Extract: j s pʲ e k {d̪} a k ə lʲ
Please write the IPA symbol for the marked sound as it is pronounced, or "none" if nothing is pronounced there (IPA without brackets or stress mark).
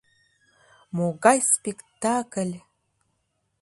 t̪